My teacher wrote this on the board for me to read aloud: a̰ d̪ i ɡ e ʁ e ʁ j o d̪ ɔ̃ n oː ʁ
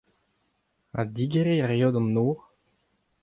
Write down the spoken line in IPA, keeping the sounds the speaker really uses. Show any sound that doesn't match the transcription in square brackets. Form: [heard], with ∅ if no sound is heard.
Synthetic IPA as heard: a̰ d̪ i ɡ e ʁ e ʁ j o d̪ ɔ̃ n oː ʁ

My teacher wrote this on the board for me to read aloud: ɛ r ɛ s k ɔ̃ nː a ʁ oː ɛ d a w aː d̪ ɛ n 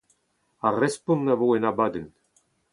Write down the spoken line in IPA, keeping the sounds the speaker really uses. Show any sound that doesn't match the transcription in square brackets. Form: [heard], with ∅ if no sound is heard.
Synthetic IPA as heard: [a] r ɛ s [p] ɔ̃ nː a [v] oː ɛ [n] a [b] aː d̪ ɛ n

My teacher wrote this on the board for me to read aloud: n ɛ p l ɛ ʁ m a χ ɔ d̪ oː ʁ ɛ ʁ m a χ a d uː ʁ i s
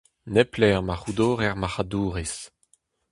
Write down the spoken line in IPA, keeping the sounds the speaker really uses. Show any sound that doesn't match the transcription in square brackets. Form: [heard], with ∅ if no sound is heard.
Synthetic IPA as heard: n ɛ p l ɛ ʁ m a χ [u] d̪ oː ʁ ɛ ʁ m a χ a d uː ʁ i s

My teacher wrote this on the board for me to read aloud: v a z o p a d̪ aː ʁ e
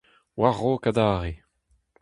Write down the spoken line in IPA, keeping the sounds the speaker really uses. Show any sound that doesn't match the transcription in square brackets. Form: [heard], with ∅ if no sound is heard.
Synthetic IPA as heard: [w] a [ʁ] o [k] a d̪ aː ʁ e

